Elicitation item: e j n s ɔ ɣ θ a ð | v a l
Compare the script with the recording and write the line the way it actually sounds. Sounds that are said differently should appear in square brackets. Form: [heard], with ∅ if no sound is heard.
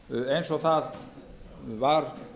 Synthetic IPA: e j n s ɔ ɣ θ a ð | v a [ɾ]